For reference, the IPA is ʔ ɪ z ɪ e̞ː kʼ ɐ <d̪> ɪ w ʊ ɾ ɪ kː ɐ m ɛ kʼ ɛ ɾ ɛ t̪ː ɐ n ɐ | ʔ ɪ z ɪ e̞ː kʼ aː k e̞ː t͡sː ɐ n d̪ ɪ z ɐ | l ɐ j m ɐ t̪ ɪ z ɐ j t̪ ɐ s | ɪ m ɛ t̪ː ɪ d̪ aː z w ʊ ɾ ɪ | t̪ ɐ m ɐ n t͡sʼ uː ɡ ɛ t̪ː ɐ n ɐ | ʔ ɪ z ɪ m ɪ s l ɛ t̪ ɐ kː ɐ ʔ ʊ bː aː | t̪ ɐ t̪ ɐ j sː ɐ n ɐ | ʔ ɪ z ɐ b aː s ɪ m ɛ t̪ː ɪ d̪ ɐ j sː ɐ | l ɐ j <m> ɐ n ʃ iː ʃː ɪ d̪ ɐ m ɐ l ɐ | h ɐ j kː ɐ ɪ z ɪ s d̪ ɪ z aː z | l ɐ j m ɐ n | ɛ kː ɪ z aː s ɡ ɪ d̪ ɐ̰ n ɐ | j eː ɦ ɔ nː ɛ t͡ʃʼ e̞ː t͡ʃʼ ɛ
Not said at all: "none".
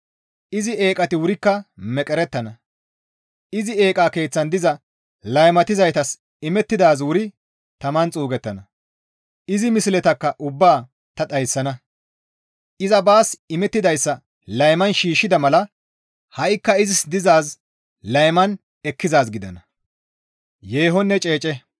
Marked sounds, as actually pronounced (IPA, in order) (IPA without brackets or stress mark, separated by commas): t̪, m